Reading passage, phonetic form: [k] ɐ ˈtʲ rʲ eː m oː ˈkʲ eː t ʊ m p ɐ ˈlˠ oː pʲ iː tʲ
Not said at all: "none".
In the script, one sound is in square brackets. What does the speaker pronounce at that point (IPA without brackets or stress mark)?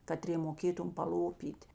k